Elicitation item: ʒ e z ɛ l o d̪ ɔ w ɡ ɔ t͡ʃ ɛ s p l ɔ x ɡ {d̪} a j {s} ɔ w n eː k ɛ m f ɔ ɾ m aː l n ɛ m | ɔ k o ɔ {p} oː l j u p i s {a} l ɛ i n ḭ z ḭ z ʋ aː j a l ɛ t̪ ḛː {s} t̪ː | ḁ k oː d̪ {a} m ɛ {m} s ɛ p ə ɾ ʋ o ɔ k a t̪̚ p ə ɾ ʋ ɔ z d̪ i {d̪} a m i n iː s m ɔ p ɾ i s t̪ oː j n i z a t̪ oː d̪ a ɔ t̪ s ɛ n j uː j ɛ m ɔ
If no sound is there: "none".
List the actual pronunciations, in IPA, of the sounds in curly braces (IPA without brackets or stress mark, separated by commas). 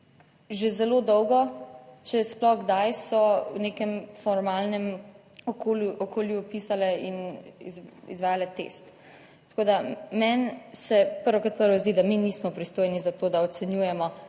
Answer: d̪, s, k, a, s, a, n, d̪